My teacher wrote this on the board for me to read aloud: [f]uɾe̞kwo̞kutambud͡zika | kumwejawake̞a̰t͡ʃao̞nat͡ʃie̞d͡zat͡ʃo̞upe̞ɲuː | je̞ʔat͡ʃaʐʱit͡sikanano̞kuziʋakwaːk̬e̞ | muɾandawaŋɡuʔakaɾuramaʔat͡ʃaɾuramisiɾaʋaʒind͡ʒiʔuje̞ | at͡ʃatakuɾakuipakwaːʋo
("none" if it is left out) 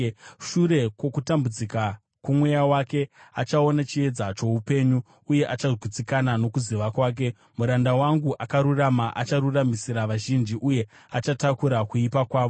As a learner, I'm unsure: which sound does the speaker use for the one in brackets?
ʃ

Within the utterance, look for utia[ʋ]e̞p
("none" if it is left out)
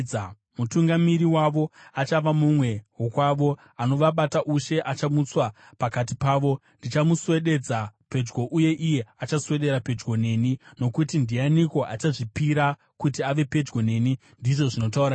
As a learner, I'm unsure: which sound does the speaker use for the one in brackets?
ʋ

